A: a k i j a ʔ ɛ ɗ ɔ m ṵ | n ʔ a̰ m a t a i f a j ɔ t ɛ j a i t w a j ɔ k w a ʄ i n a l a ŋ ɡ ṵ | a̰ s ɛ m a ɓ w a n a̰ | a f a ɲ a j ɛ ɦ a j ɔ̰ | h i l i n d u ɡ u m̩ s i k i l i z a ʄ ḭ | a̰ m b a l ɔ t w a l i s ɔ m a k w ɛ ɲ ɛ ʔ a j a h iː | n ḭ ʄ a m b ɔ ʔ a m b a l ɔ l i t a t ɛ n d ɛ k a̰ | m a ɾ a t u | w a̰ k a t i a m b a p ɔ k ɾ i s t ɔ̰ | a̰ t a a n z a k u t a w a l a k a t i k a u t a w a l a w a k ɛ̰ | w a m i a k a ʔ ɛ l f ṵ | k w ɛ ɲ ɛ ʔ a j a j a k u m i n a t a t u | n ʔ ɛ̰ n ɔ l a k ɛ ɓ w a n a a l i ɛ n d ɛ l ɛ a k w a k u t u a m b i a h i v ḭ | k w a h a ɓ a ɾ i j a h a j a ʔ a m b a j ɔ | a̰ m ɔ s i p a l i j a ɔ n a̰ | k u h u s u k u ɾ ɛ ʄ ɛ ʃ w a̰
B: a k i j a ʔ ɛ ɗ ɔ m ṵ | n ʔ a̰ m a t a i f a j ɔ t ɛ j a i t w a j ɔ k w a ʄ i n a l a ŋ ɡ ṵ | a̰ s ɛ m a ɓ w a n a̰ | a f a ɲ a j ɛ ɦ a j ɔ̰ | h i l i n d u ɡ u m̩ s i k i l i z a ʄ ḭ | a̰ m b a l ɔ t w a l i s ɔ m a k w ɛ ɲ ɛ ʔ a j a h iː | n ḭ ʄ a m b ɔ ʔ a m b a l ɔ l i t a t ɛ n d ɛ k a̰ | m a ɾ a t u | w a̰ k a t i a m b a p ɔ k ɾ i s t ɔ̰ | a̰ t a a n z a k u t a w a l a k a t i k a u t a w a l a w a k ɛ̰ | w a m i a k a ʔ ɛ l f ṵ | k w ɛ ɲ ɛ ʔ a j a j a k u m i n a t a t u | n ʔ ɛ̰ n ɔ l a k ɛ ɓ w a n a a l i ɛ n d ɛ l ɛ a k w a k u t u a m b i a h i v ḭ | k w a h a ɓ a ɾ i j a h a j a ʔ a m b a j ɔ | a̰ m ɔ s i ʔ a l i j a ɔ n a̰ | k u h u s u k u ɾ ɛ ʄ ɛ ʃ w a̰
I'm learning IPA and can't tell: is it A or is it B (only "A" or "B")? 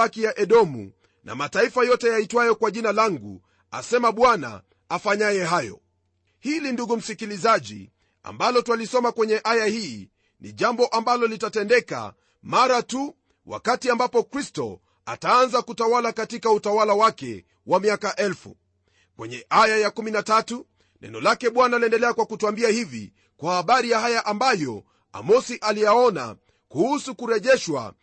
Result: B